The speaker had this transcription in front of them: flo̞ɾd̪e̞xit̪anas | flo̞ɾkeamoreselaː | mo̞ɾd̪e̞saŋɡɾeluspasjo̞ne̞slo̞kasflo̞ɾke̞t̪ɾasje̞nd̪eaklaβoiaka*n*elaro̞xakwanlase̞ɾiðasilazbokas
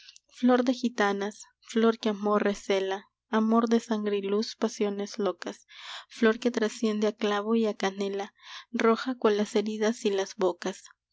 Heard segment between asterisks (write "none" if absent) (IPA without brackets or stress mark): n